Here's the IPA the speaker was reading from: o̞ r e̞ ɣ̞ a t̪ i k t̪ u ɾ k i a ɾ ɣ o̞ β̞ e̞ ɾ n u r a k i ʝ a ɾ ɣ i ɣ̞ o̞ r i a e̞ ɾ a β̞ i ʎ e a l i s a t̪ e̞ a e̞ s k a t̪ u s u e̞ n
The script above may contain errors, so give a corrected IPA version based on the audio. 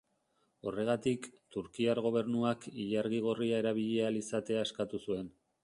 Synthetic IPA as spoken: o̞ r e̞ ɣ̞ a t̪ i k t̪ u ɾ k i a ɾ ɣ o̞ β̞ e̞ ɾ n u a k i ʎ a ɾ ɣ i ɣ̞ o̞ r i a e̞ ɾ a β̞ i ʎ e a l i s a t̪ e̞ a e̞ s k a t̪ u s u e̞ n